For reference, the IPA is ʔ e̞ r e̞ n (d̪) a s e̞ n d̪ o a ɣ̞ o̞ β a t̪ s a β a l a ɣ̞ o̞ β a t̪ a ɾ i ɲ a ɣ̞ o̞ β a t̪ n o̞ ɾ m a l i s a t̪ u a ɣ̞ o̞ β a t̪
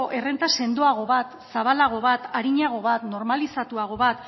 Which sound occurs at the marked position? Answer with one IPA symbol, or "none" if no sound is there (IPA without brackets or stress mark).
t̪